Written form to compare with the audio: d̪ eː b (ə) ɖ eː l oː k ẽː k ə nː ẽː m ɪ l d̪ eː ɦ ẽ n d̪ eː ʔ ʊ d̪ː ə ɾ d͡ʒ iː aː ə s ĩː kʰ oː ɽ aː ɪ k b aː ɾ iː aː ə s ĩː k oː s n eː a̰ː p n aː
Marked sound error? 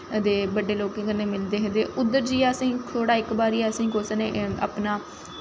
no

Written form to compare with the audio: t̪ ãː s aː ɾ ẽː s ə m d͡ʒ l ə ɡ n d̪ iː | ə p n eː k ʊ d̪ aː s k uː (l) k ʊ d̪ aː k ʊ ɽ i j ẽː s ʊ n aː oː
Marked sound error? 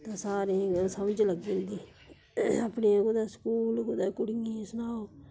no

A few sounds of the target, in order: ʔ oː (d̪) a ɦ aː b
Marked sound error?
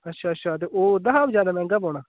no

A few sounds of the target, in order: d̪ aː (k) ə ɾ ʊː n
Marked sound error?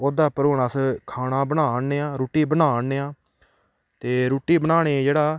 yes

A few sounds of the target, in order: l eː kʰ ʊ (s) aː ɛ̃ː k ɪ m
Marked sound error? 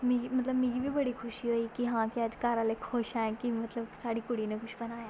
yes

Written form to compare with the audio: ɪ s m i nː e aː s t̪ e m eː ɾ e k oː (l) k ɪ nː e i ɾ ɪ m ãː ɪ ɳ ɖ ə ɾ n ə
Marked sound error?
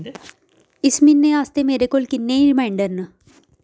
no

